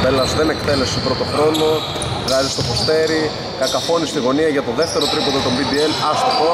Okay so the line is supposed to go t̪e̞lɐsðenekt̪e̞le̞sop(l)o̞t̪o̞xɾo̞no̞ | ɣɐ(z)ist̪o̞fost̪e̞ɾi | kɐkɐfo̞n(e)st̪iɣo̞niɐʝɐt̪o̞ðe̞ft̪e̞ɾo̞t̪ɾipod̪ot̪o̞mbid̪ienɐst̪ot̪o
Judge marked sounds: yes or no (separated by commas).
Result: no, yes, no